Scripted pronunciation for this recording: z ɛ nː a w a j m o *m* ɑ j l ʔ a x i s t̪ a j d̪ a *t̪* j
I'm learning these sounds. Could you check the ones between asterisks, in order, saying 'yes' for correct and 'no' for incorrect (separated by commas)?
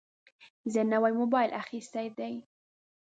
no, no